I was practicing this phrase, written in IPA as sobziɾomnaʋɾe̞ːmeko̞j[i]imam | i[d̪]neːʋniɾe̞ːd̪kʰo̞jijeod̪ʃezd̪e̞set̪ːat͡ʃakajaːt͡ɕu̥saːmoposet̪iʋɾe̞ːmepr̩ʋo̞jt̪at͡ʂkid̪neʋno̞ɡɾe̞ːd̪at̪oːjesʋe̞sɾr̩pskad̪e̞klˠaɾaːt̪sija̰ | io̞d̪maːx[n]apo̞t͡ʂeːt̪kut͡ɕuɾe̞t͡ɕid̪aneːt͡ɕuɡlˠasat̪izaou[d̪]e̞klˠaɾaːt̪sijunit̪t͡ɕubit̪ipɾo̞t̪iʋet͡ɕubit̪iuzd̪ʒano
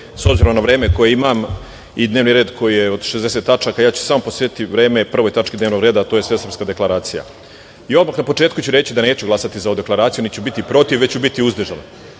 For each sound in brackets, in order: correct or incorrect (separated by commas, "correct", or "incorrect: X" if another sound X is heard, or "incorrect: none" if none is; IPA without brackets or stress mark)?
incorrect: e, correct, correct, correct